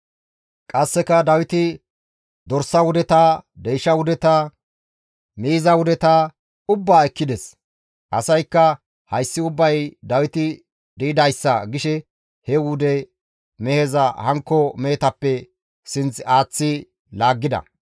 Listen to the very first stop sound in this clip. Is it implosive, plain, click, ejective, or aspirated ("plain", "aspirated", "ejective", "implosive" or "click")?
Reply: ejective